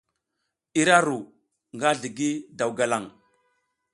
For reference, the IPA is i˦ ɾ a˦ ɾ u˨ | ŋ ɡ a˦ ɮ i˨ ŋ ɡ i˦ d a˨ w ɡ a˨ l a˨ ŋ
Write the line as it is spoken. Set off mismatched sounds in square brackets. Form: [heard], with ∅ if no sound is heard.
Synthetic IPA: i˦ ɾ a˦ ɾ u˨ | ŋ ɡ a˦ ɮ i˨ [∅] ɡ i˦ d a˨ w ɡ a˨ l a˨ ŋ